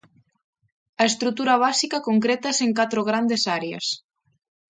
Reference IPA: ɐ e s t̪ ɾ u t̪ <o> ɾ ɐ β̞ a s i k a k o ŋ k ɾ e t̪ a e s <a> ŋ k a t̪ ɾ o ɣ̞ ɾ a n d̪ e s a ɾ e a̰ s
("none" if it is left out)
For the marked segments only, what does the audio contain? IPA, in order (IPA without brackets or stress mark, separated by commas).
u, e